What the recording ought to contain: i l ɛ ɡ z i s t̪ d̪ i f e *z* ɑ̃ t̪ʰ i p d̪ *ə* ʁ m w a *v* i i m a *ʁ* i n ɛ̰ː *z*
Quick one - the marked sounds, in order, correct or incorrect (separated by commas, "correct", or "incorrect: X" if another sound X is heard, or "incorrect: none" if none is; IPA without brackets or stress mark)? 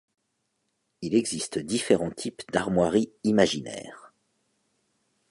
incorrect: ʁ, incorrect: a, incorrect: ʁ, incorrect: ʒ, incorrect: ʁ